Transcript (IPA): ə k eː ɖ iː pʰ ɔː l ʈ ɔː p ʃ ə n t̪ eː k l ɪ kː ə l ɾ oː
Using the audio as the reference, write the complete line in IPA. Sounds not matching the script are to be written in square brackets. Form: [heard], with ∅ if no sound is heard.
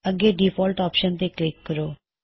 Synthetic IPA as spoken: ə [ɡ] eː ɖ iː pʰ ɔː l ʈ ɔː p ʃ ə n t̪ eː k l ɪ kː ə [∅] ɾ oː

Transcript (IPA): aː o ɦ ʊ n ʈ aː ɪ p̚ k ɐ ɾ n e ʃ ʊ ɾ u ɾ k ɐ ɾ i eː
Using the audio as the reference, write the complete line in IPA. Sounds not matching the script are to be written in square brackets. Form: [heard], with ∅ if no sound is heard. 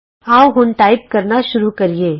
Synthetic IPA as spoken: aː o ɦ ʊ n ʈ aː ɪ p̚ k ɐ ɾ n [a] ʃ ʊ ɾ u [∅] k ɐ ɾ i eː

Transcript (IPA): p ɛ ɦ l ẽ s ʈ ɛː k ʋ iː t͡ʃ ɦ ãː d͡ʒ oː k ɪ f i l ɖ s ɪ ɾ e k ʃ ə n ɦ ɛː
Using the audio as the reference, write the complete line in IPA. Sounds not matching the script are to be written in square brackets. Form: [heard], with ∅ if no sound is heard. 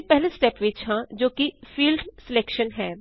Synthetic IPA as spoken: p ɛ ɦ l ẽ s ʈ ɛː [p] ʋ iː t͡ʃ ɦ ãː d͡ʒ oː k [i] f [iː] l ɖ s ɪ [l] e k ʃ ə n ɦ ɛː

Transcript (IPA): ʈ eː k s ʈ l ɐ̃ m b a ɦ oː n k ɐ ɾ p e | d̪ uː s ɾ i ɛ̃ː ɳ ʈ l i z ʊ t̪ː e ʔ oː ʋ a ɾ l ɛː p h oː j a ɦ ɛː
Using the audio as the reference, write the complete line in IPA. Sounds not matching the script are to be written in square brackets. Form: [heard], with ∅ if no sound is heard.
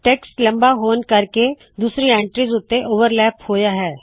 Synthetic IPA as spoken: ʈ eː k s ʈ l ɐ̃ m b a ɦ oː n k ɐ ɾ [k] e | d̪ uː s ɾ i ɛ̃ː ɳ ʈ [ɾ] i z ʊ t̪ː e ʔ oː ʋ [ə] ɾ l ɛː p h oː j a ɦ ɛː

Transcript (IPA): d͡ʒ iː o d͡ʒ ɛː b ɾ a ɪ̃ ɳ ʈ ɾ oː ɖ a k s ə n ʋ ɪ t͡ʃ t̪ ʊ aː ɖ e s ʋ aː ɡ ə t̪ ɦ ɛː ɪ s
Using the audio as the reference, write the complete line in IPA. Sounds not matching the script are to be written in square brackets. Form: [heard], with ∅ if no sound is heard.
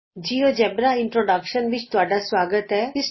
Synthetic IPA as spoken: d͡ʒ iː o d͡ʒ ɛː b ɾ a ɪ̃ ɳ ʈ ɾ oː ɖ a k [ʃ] ə n ʋ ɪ t͡ʃ t̪ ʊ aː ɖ [a] s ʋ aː ɡ ə t̪ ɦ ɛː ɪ s

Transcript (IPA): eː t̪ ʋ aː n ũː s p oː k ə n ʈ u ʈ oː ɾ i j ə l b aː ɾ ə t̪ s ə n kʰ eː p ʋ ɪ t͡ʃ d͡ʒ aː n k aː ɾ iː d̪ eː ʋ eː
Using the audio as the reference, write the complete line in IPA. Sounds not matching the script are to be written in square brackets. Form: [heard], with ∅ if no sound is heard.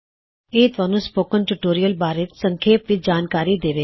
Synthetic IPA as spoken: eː t̪ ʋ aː n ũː s p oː k ə n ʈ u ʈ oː ɾ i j ə l b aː ɾ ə t̪ s ə [ŋ] kʰ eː p ʋ ɪ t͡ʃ d͡ʒ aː n k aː ɾ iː d̪ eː ʋ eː

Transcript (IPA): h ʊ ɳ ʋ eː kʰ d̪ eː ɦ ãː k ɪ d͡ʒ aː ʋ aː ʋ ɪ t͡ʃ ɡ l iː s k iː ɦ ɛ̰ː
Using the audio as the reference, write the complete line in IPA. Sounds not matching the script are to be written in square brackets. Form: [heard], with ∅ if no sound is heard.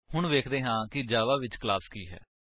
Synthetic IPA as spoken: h ʊ ɳ ʋ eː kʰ d̪ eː ɦ ãː k ɪ d͡ʒ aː ʋ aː ʋ ɪ t͡ʃ [k] l [aː] s k iː ɦ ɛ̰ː

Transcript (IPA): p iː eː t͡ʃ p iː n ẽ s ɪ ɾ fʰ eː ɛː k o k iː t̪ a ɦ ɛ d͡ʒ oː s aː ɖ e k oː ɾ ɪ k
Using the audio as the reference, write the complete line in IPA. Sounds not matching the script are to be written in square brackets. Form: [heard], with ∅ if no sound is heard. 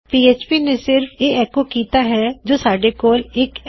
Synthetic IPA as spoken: p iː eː t͡ʃ p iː n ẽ s ɪ ɾ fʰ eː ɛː k o k iː t̪ a ɦ ɛ d͡ʒ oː s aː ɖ e k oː [l] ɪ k

